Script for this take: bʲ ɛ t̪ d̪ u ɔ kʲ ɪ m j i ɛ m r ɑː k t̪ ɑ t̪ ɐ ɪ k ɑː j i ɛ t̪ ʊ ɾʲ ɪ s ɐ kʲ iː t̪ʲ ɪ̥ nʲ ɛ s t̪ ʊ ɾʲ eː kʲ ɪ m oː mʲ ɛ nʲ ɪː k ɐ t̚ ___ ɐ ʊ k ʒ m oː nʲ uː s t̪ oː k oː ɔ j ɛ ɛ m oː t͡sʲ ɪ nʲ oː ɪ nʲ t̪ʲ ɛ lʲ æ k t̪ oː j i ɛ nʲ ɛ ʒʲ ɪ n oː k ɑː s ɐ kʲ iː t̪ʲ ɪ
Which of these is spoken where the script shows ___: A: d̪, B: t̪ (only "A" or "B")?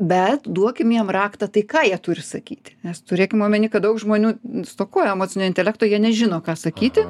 A